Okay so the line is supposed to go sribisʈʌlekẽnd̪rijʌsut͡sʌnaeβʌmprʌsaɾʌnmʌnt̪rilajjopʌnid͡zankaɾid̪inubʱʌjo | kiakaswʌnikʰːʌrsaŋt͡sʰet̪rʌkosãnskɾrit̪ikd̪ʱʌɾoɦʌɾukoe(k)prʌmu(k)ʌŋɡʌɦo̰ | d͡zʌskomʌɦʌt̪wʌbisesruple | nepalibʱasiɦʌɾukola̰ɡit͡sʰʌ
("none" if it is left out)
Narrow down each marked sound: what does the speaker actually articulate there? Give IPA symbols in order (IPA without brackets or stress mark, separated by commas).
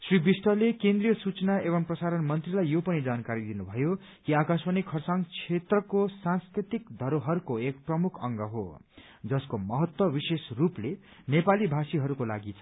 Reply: k, kʰ